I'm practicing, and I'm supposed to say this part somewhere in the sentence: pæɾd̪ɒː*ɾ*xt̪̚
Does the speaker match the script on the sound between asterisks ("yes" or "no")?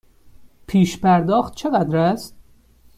no